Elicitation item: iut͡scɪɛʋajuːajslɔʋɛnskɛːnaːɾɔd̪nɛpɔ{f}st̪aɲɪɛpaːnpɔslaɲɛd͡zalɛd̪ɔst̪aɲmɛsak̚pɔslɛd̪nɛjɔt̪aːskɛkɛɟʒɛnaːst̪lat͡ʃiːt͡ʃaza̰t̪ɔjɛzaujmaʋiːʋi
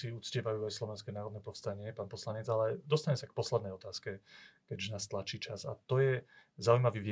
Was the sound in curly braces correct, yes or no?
yes